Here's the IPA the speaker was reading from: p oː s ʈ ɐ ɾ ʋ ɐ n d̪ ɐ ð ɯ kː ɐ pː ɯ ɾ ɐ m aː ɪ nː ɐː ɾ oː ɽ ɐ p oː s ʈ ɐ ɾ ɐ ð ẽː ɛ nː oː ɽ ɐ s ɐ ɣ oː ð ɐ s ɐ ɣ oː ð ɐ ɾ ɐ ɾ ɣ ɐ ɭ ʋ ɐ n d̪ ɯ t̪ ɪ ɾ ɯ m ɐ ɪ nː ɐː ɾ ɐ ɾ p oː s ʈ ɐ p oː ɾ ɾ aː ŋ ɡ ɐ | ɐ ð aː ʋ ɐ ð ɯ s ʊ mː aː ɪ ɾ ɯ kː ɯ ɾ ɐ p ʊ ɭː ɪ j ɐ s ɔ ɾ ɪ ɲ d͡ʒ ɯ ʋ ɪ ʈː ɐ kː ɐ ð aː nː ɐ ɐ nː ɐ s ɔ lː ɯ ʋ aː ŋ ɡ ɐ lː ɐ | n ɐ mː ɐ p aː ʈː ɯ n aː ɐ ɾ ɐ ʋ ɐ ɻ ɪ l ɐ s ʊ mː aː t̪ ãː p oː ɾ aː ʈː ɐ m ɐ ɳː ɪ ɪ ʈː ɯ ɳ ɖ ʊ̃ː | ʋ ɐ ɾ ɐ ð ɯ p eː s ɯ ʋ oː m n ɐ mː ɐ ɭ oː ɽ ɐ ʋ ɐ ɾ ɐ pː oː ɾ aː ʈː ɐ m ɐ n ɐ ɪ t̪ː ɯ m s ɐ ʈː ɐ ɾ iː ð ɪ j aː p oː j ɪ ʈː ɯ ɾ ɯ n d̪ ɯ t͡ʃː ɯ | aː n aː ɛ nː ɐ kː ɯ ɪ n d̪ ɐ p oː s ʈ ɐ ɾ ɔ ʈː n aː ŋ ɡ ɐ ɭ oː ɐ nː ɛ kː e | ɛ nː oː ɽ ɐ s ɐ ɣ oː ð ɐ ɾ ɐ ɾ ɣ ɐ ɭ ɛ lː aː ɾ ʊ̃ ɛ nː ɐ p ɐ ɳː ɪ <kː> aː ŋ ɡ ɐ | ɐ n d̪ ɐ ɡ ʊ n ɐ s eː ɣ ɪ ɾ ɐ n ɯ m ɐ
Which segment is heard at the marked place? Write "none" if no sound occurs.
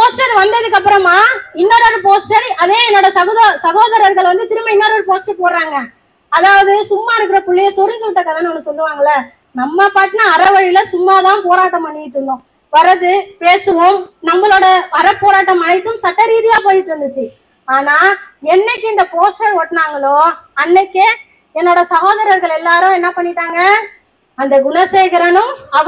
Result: ʈː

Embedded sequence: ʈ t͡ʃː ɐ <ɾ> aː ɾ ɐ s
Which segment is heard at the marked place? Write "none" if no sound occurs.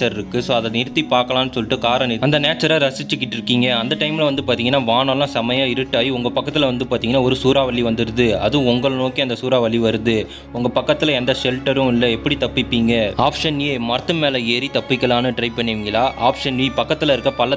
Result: ɾ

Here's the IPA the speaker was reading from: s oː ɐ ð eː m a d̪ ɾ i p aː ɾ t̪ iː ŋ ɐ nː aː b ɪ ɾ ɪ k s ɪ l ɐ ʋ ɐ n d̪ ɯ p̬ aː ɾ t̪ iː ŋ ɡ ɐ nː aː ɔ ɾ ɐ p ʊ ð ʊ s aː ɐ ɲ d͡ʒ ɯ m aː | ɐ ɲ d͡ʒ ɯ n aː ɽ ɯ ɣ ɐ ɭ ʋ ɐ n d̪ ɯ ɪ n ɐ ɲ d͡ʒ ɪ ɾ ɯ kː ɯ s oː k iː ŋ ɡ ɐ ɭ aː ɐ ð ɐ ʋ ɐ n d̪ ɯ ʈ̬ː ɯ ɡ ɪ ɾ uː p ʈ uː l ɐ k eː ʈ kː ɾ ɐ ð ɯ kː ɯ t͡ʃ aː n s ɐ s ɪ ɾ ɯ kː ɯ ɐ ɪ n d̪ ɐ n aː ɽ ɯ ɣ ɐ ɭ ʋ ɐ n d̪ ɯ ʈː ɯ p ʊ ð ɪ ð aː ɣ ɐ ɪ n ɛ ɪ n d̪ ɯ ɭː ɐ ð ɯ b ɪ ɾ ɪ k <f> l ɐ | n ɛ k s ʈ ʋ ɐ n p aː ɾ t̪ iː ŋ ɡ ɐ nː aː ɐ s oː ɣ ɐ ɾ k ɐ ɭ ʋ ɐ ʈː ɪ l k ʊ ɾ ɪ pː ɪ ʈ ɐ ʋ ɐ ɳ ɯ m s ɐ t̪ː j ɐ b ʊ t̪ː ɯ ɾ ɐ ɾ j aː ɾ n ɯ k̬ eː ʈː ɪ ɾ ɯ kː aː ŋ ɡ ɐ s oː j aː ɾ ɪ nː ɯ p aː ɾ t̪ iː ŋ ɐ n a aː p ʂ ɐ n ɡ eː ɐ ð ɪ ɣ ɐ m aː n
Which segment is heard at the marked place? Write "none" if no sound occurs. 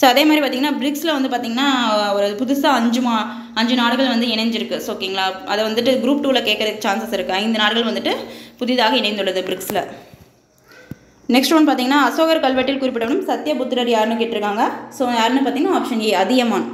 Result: s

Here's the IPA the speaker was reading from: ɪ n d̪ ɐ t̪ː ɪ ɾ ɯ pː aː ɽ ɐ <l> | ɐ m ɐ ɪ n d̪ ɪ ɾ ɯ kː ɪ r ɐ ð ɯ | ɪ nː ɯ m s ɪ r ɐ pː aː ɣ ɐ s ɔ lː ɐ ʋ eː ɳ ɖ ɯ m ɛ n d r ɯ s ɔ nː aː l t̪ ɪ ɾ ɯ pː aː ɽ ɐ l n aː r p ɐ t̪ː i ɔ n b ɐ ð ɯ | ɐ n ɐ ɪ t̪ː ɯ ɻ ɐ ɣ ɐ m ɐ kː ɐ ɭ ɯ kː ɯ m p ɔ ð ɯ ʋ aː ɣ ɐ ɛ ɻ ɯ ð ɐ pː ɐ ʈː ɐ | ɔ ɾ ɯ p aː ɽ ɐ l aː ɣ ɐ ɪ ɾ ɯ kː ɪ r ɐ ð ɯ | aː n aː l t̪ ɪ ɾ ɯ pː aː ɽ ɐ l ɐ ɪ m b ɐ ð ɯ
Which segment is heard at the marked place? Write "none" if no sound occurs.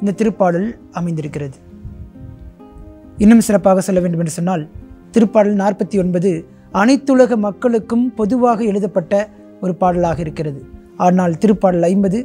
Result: l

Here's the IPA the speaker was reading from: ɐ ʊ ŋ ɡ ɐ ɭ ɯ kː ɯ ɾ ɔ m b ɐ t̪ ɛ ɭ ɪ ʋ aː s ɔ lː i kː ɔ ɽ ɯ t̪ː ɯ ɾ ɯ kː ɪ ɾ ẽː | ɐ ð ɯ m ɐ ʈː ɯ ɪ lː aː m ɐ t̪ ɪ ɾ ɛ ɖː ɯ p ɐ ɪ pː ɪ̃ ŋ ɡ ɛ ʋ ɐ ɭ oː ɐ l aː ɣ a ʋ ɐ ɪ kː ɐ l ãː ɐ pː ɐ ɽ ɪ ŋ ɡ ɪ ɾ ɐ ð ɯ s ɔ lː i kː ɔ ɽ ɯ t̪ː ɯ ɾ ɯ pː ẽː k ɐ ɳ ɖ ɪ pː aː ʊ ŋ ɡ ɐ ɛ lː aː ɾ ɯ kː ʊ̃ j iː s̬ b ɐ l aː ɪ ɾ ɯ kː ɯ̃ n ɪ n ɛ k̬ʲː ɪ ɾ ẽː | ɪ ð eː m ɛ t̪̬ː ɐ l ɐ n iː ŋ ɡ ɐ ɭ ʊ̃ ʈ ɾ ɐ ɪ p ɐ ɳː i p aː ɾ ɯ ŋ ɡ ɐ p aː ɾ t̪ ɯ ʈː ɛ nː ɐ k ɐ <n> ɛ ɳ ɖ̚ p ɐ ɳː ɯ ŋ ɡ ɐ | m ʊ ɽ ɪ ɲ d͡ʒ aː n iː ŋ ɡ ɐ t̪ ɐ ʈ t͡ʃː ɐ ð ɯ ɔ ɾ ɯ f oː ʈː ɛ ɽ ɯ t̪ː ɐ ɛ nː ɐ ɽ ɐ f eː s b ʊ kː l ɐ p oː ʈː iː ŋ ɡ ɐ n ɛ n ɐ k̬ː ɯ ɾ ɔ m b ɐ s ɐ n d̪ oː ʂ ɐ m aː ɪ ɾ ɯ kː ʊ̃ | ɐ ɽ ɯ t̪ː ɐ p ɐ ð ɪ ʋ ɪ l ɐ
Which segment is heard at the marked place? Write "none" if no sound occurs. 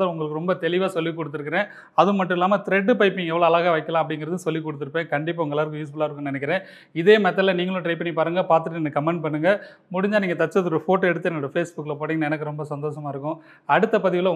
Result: m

